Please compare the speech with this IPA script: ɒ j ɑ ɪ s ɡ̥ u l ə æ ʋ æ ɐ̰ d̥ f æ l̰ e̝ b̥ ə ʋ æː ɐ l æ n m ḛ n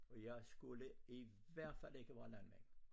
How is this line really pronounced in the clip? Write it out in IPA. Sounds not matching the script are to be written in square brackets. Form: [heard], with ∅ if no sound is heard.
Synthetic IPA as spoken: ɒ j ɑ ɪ s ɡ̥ u l ə [i] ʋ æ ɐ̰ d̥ f æ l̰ e̝ [ɡ̥] ə ʋ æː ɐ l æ n m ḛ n